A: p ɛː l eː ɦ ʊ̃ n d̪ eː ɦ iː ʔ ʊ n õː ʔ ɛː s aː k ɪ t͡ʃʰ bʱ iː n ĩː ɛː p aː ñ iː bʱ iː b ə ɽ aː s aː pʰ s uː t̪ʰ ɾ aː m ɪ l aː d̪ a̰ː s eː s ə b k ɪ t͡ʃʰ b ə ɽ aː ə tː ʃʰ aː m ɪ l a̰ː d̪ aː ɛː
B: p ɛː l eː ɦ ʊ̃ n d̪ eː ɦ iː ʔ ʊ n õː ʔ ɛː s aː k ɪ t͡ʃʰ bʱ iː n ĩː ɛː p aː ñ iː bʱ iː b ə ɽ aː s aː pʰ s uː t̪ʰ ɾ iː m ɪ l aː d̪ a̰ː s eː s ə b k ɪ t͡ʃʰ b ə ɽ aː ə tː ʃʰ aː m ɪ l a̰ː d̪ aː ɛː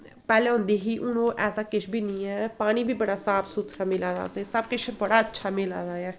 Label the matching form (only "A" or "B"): A